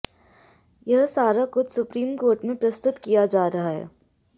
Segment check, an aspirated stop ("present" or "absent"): absent